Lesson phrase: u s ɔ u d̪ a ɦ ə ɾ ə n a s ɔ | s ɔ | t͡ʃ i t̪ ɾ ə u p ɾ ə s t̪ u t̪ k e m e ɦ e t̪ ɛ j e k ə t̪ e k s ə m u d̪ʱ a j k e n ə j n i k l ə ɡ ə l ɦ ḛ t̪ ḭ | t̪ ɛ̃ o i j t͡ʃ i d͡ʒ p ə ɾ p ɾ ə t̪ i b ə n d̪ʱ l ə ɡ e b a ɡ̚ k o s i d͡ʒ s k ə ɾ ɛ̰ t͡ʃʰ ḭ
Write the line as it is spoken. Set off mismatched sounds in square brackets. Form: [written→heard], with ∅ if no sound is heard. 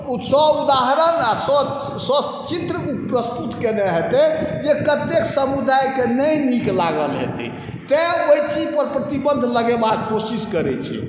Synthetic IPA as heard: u s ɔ u d̪ a ɦ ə ɾ ə n a s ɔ | s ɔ | t͡ʃ i t̪ ɾ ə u p ɾ ə s t̪ u t̪ k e [m→n] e ɦ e t̪ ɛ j e k ə t̪ e k s ə m u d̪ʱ a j k e n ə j n i k l [ə→a] ɡ ə l ɦ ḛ t̪ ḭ | t̪ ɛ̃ o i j t͡ʃ i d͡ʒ p ə ɾ p ɾ ə t̪ i b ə n d̪ʱ l ə ɡ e b a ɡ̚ k o s i [d͡ʒ→∅] s k ə ɾ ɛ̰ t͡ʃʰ ḭ